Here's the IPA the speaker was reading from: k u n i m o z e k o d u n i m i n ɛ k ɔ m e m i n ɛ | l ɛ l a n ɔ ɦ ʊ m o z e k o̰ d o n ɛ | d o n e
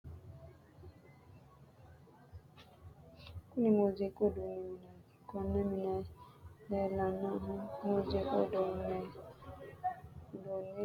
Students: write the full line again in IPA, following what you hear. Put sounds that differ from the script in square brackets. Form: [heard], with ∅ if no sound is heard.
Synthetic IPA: k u n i m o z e k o d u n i m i n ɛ k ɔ [n] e m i n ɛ | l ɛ l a n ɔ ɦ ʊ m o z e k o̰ d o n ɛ | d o n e